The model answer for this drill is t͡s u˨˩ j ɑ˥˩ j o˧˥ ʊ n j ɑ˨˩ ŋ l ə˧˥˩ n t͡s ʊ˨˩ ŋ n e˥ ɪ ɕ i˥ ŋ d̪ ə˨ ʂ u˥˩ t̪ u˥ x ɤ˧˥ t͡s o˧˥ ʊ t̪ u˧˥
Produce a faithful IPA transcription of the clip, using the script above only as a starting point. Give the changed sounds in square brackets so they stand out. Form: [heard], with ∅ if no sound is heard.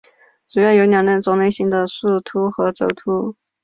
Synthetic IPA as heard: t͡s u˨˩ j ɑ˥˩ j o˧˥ ʊ n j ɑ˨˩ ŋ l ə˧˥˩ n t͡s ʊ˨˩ ŋ n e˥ ɪ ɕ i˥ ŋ d̪ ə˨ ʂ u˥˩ [t̪ʰ] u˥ x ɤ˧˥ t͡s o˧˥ ʊ [t̪ʰ] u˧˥

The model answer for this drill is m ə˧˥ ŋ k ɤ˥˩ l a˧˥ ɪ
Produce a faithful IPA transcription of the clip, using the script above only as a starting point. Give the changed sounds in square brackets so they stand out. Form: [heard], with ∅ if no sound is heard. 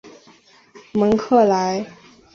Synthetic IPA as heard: m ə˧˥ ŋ [kʰ] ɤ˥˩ l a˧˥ ɪ

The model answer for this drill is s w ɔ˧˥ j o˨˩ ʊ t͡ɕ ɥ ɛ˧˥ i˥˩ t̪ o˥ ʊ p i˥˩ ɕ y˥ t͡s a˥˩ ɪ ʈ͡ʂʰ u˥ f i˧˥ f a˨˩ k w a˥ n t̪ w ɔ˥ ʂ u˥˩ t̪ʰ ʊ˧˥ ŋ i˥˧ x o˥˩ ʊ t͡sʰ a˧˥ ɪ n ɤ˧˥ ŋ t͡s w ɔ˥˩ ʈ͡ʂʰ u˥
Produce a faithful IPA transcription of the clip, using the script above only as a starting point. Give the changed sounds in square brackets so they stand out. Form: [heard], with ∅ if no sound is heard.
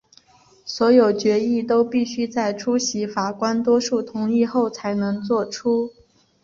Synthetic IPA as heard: s w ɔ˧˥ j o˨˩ ʊ t͡ɕ ɥ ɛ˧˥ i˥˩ t̪ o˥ ʊ p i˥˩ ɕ y˥ t͡s a˥˩ ɪ ʈ͡ʂʰ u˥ [ɕ] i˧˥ f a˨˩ k w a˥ n t̪ w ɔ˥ ʂ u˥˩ t̪ʰ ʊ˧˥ ŋ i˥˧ x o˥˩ ʊ t͡sʰ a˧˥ ɪ n ɤ˧˥ ŋ t͡s w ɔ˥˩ ʈ͡ʂʰ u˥

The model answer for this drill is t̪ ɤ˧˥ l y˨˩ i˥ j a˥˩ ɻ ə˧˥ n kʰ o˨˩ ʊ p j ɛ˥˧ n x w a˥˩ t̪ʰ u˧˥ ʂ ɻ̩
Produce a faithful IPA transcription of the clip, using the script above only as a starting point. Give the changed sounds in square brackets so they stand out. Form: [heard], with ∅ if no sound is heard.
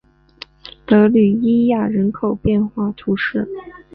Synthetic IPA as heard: t̪ ɤ˧˥ l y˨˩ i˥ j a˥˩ ɻ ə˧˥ n kʰ o˨˩ ʊ p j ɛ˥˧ n x w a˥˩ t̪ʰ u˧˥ ʂ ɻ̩

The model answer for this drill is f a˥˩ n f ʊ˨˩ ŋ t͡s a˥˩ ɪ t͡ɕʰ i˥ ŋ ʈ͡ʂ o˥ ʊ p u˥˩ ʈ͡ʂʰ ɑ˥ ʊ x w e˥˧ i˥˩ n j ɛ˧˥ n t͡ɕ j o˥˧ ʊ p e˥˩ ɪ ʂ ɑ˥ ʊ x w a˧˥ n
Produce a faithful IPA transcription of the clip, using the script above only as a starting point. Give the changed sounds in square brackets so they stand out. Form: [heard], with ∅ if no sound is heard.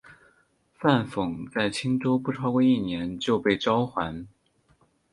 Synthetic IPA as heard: f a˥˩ n f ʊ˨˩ ŋ t͡s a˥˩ ɪ t͡ɕʰ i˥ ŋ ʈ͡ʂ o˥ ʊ p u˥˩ ʈ͡ʂʰ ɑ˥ ʊ [k] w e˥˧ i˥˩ n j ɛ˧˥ n t͡ɕ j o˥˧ ʊ p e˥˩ ɪ [ʈ͡ʂ] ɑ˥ ʊ x w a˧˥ n

